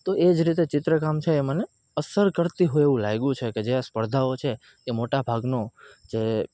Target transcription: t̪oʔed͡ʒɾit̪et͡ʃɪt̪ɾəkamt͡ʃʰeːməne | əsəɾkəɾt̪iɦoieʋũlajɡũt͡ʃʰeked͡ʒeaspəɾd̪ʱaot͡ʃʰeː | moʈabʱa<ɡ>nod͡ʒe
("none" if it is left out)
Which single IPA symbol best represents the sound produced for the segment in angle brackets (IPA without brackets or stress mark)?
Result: ɡ